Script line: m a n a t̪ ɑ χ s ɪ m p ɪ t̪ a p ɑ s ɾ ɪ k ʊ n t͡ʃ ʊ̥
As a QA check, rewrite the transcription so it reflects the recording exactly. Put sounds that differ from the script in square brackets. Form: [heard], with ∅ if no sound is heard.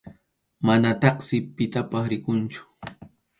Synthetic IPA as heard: m a n a t̪ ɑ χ s ɪ [∅] p ɪ t̪ a p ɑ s ɾ ɪ k ʊ n t͡ʃ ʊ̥